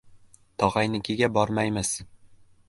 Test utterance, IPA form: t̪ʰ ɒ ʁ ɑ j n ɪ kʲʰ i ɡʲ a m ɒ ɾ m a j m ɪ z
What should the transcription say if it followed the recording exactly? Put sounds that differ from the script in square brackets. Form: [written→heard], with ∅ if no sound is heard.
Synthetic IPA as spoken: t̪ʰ ɒ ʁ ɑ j n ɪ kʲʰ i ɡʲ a [m→b] ɒ ɾ m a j m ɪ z